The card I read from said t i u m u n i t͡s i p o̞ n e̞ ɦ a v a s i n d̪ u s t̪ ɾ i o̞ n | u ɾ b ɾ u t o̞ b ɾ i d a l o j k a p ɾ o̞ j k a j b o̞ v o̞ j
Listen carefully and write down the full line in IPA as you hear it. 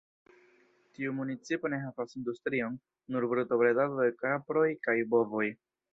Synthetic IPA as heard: t i u m u n i t͡s i p o̞ n e̞ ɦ a v a s i n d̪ u s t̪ ɾ i o̞ nː | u ɾ b ɾ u t o̞ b ɾ e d a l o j k a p ɾ o̞ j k a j b o̞ v o̞ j